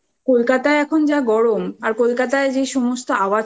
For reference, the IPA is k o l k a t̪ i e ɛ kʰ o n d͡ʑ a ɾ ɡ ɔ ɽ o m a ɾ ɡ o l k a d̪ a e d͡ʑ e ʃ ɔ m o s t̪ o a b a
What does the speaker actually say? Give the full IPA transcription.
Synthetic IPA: k o l k a t̪ a e ɛ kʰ o n d͡ʑ a ɡ ɔ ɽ o m a ɾ k o l k a t̪ a e d͡ʑ e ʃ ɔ m o s t̪ o a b a